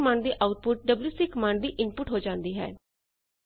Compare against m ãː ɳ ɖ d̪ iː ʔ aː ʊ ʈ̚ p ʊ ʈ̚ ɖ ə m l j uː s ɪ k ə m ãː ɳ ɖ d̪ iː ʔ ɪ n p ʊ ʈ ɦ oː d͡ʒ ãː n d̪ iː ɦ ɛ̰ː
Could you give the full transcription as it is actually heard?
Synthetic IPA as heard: m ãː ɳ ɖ d̪ iː ʔ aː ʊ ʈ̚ p ʊ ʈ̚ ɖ ə b l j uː s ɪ k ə m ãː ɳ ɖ d̪ iː ʔ ɪ n p ʊ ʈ ɦ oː d͡ʒ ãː n d̪ iː ɦ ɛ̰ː